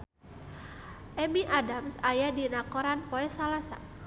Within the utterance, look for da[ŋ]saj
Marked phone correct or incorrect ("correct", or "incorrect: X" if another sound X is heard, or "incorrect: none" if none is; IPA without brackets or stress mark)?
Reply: incorrect: m